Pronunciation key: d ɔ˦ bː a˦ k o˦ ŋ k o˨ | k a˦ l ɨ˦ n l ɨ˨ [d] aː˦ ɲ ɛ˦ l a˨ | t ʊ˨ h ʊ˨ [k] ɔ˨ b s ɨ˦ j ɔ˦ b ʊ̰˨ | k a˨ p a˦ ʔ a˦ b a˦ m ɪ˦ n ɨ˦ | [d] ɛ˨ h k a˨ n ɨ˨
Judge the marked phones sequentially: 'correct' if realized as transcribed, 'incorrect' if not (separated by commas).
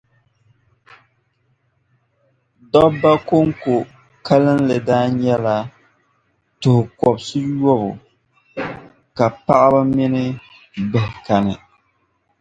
correct, correct, incorrect